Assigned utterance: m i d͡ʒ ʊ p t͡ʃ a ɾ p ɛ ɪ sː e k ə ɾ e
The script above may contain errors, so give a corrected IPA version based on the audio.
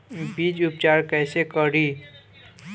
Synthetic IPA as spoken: b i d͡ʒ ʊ p t͡ʃ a ɾ k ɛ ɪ s e k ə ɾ i